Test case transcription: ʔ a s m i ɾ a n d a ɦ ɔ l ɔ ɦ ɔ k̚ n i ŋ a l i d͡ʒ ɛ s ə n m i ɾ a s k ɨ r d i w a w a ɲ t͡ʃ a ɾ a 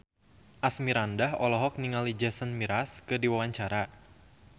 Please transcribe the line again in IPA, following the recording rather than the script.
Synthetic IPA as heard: ʔ a s m i ɾ a n d a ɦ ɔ l ɔ ɦ ɔ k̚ n i ŋ a l i d͡ʒ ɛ s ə n m i ɾ a s k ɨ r d i w a w a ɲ t͡ʃ a ɾ a